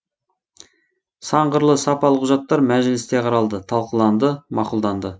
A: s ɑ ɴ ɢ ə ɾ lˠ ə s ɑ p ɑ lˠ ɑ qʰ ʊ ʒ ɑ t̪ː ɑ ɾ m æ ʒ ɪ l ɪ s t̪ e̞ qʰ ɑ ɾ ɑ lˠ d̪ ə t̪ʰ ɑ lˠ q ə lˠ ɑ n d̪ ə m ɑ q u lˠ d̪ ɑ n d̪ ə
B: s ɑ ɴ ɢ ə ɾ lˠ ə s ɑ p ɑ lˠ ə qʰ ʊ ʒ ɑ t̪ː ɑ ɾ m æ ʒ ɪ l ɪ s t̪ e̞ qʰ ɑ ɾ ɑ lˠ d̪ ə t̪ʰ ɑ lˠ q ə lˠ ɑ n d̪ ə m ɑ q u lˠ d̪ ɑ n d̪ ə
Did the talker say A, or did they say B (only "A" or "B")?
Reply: B